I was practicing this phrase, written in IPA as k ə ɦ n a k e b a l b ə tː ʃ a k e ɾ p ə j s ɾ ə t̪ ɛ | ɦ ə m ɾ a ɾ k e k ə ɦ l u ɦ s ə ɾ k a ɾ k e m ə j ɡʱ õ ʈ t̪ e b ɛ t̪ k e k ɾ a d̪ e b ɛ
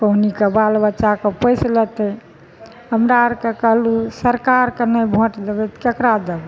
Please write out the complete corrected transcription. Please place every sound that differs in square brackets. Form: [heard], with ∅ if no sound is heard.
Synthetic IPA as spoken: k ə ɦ n [i] k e b a l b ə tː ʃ a k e [∅] p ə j s [l] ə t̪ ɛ | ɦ ə m ɾ a ɾ k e k ə ɦ l u [∅] s ə ɾ k a ɾ k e [n] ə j [bʱ] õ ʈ [d̪] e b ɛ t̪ k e k ɾ a d̪ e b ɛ